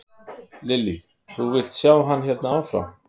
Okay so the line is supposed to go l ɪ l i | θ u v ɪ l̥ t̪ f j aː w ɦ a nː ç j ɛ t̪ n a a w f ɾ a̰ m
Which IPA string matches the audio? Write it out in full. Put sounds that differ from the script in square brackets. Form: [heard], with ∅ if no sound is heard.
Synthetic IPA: l ɪ l i | θ u v ɪ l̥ t̪ [s] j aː w ɦ a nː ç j ɛ t̪ n a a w f ɾ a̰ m